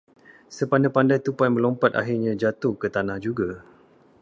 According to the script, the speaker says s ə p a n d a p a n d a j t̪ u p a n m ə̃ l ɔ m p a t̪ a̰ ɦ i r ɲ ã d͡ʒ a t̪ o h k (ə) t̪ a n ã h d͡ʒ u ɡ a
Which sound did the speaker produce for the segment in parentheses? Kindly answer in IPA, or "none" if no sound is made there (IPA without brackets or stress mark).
ə